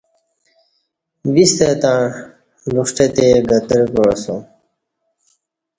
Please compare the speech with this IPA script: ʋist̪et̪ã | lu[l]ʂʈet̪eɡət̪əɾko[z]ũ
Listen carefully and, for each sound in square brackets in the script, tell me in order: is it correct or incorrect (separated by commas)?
incorrect, incorrect